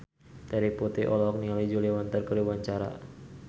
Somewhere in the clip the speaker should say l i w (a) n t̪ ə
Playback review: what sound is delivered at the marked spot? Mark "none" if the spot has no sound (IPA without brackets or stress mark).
a